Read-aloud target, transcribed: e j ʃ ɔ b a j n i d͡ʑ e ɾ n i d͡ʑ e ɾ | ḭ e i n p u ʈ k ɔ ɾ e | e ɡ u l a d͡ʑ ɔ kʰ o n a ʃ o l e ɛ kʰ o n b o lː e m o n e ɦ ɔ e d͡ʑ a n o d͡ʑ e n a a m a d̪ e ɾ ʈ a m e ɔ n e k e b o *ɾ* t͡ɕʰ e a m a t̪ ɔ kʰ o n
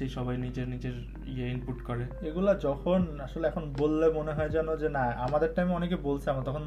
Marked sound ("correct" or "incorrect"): incorrect